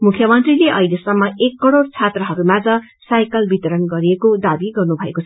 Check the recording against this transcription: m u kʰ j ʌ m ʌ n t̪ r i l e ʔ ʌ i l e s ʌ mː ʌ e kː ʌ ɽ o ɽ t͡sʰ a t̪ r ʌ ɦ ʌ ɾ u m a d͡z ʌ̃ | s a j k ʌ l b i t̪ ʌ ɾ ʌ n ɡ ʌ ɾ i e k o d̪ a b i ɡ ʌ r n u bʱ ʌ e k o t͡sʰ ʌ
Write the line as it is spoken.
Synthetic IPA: m u kʰ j ʌ m ʌ n t̪ r i l e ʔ ʌ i l e s ʌ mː ʌ e kː ʌ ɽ o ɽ t͡sʰ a t̪ r ʌ ɦ ʌ ɾ u m a d͡z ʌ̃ | s a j k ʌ l b i t̪ ʌ ɾ ʌ n ɡ ʌ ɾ i e k o d̪ a b i ɡ ʌ r n u bʱ ʌ e k o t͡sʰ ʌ